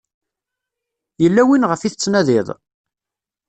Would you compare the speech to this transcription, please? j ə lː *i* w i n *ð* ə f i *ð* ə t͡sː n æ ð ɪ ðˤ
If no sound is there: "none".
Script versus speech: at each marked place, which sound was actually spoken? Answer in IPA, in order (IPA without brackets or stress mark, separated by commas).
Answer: æ, ʁ, θ